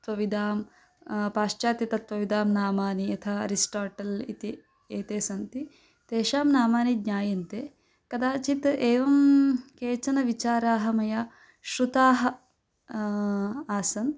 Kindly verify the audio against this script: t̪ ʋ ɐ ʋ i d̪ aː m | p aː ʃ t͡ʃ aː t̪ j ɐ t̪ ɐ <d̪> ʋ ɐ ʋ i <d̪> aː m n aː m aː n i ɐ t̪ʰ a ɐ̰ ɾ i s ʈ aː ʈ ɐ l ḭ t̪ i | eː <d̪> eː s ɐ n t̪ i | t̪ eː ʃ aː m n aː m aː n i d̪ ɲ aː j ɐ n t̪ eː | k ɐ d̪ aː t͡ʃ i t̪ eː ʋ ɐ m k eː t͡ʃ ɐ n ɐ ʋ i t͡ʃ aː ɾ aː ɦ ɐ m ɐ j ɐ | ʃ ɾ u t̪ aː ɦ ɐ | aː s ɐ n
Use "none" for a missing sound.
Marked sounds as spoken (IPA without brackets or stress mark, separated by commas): t̪, d̪, t̪